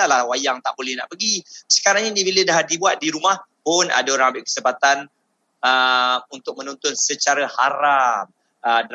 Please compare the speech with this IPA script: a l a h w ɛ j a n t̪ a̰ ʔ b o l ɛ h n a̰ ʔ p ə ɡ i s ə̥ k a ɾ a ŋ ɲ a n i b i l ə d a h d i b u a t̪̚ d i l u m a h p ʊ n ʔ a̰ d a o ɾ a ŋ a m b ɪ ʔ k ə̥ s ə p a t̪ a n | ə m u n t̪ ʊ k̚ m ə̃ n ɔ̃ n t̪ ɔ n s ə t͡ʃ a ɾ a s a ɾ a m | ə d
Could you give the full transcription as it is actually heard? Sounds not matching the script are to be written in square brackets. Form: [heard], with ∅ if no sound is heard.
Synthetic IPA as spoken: a l a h w [a] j a [ŋ] t̪ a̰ ʔ b o l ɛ h n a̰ ʔ p ə ɡ i s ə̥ k a ɾ a ŋ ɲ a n i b i l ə d a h d i b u a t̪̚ d i [ɾ] u m a h p ʊ n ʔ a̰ d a o ɾ a ŋ a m b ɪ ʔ k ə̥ s ə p a t̪ a n | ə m u n t̪ ʊ k̚ m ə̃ n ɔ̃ n t̪ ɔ n s ə t͡ʃ a ɾ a [h] a ɾ a m | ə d